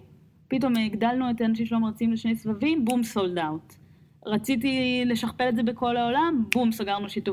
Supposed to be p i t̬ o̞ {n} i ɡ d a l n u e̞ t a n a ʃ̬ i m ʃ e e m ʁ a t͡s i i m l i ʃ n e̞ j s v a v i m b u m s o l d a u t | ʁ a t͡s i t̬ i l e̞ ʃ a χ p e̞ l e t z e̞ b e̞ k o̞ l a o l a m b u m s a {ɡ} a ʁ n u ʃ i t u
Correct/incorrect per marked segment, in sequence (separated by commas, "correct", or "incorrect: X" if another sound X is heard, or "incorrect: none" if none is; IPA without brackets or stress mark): incorrect: m, correct